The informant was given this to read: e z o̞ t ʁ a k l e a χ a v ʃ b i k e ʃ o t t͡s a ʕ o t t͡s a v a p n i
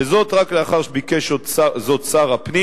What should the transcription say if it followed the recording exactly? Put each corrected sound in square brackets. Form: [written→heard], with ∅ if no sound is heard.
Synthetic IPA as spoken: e z o̞ t ʁ a k l e a χ a [v→ʁ] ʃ b i k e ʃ o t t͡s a [ʕ→z] o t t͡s a [v→ʁ] a p n i